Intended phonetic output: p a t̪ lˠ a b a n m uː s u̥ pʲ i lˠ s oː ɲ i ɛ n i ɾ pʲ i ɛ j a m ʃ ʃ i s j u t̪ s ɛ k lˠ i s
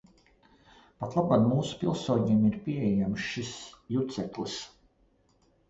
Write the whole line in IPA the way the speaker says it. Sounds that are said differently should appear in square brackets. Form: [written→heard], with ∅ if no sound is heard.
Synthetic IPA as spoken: p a t̪ lˠ a b a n m uː s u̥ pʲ i lˠ s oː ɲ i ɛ [n→m] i ɾ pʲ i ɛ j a m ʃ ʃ i s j u t̪ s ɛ k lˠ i s